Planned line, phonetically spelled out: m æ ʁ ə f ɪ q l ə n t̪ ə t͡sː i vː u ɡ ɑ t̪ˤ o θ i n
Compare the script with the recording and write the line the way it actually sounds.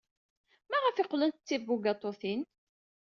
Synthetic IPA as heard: m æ ʁ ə f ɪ q l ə n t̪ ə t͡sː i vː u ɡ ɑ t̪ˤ o θ i n